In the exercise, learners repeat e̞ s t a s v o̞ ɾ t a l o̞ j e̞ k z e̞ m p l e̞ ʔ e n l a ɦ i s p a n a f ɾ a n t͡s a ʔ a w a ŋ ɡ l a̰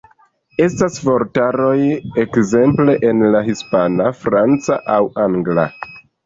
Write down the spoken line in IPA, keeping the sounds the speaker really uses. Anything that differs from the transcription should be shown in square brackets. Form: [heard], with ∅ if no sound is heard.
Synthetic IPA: e̞ s t a s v o̞ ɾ t a [ɾ] o̞ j e̞ k z e̞ m p l e̞ ʔ e n l a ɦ i s p a n a f ɾ a n t͡s a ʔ a w a ŋ ɡ l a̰